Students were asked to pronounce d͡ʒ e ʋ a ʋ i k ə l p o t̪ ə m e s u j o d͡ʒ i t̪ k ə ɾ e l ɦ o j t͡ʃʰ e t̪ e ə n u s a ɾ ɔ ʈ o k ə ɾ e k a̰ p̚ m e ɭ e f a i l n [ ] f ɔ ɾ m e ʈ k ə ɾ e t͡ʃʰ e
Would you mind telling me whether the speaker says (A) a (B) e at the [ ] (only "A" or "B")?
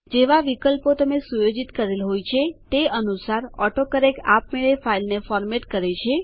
B